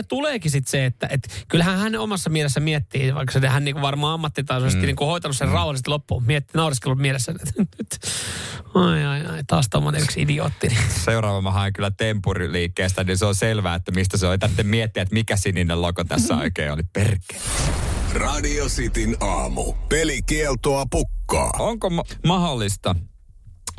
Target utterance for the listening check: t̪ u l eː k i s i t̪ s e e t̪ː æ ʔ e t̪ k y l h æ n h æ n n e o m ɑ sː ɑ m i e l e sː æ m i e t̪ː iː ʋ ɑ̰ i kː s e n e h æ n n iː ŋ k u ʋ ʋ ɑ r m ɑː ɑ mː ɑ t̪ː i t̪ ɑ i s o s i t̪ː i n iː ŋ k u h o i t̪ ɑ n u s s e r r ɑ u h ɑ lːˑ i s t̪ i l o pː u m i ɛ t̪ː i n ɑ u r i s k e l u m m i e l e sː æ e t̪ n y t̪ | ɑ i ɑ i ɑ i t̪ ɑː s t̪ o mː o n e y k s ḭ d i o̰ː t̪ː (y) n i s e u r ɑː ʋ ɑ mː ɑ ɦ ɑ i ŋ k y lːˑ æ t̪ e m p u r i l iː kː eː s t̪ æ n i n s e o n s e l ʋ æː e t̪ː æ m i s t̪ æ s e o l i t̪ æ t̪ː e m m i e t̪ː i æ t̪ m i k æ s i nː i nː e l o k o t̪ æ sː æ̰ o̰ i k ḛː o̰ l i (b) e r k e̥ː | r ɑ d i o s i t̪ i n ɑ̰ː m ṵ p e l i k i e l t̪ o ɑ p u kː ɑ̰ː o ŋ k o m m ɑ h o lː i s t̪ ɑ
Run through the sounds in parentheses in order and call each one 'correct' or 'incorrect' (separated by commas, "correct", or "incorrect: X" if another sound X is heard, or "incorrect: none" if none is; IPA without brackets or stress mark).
incorrect: i, incorrect: p